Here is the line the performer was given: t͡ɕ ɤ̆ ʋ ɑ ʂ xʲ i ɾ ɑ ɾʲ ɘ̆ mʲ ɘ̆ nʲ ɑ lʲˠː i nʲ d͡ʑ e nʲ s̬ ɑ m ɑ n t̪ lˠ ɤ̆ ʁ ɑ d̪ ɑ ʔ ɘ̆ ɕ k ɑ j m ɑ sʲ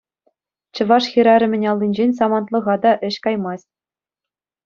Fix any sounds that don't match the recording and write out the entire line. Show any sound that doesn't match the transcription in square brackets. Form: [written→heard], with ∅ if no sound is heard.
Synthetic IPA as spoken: t͡ɕ ɤ̆ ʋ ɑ ʂ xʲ i ɾ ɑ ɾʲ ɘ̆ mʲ ɘ̆ nʲ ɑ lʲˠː i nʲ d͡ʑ e nʲ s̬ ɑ m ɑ n t̪ lˠ ɤ̆ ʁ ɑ d̪ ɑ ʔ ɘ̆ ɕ k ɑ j m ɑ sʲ